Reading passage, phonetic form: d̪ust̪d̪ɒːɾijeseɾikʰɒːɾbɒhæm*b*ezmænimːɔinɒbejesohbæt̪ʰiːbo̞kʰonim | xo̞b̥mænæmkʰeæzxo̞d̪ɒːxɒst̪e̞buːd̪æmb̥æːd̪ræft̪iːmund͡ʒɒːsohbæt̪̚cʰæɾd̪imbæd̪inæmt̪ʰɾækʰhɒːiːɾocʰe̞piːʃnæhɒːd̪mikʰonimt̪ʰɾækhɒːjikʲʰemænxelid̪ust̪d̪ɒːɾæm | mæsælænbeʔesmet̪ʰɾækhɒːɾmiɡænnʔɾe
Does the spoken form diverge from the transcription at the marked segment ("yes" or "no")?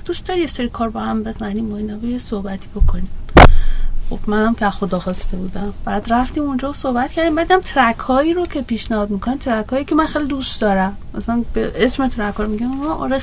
no